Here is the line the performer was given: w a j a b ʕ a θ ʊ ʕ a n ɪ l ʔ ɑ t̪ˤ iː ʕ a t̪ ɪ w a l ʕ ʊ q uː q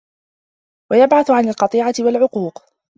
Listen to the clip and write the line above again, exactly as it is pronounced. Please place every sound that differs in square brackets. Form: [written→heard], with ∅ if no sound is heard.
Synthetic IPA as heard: w a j a b ʕ a θ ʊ ʕ a n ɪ l [ʔ→q] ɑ t̪ˤ iː ʕ a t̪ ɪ w a l ʕ ʊ q uː q